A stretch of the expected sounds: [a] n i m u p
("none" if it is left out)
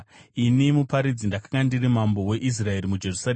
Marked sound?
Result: i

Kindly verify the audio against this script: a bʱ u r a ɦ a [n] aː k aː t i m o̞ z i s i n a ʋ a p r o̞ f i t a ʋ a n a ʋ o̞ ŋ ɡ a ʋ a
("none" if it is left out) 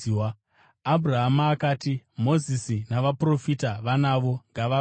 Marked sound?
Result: m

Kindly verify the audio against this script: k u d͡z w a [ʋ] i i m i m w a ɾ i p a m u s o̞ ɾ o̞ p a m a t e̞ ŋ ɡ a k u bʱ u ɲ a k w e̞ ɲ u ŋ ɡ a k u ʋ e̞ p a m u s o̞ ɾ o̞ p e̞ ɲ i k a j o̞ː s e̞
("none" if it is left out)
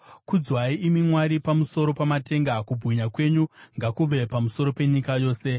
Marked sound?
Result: none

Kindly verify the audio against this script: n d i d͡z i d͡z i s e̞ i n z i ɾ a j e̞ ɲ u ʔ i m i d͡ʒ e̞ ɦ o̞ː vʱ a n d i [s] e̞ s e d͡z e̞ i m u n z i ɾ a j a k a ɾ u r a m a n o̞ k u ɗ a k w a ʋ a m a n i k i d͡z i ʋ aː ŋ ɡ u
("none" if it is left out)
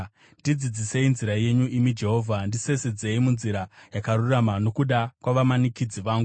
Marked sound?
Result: s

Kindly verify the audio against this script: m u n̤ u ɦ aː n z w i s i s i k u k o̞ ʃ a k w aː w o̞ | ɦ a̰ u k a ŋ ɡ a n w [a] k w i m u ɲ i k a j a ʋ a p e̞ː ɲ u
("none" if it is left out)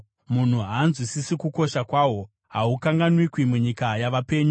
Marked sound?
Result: i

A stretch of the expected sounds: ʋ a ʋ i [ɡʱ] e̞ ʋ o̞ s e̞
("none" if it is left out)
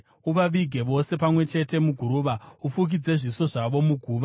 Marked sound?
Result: ɡʱ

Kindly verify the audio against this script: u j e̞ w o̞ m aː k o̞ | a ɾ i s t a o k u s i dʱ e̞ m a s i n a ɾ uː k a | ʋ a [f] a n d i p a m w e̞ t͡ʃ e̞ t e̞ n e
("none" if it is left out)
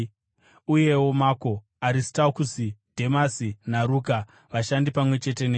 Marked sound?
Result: ʃ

